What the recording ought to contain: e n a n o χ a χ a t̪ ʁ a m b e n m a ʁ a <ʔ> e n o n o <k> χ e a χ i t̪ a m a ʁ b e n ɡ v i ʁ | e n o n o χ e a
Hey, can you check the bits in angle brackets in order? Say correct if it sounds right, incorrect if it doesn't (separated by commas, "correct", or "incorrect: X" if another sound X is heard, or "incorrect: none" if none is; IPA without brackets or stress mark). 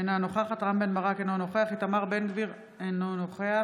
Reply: incorrect: k, incorrect: none